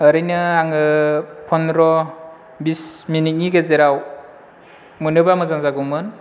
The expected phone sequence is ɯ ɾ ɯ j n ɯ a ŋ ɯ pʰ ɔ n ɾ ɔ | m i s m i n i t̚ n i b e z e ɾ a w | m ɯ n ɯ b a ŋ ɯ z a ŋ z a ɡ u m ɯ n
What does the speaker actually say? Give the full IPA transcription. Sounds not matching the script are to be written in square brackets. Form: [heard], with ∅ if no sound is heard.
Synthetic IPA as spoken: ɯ ɾ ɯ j n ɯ a ŋ ɯ pʰ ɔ n ɾ ɔ | [b] i s m i n i t̚ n i [ɡ] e z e ɾ a w | m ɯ n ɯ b a [m] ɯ z a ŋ z a ɡ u m ɯ n